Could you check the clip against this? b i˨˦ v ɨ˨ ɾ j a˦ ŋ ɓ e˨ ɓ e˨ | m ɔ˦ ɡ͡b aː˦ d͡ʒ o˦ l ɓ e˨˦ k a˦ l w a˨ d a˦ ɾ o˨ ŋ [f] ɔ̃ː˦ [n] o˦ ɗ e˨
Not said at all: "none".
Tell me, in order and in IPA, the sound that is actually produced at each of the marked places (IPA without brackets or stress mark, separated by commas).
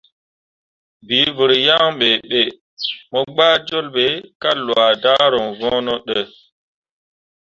v, n